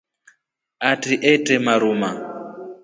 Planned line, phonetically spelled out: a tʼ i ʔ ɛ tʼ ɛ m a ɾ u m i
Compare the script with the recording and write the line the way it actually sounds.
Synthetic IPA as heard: a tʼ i ʔ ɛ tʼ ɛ m a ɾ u m a